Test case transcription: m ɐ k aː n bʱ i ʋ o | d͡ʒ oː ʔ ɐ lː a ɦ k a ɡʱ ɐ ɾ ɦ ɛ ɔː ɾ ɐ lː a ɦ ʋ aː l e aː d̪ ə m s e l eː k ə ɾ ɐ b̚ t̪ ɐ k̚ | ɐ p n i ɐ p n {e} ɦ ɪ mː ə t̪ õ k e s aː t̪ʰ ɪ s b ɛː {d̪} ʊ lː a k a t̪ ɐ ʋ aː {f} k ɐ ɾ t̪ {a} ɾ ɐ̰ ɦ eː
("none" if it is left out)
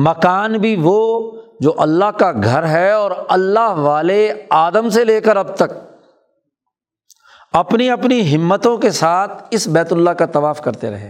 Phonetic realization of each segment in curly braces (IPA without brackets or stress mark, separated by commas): i, t̪, f, e